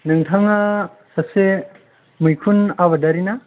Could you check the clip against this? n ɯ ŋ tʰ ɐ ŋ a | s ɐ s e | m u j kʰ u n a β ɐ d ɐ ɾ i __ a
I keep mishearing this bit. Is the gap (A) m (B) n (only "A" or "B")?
B